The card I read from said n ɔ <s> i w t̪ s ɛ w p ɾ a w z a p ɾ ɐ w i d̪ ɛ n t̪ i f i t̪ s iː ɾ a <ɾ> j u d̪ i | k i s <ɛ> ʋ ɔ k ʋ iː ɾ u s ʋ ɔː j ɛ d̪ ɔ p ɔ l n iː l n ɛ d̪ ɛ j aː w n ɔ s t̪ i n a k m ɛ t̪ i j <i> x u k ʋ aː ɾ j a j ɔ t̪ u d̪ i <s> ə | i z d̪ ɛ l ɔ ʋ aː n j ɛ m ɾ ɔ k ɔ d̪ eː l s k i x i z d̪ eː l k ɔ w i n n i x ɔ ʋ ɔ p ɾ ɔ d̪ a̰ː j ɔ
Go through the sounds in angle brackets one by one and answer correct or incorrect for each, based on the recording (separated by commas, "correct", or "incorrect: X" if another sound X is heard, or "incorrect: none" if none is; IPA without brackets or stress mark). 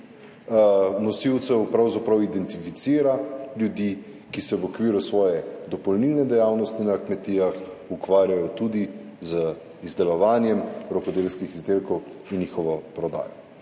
correct, incorrect: l, correct, incorrect: a, incorrect: z